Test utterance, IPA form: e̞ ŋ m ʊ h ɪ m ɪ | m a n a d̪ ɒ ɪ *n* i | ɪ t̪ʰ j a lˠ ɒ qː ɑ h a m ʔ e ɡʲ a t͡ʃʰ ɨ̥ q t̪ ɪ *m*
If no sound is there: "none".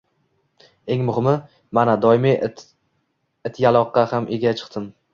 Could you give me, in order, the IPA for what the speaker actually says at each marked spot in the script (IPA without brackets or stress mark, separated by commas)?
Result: m, m